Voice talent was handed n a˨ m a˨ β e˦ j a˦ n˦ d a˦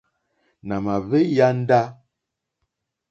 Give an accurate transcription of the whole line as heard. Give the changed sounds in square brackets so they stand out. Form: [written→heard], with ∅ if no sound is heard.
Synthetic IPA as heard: n a˨ m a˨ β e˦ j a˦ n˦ d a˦